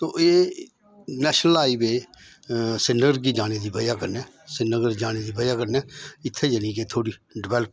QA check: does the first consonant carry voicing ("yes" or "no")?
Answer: no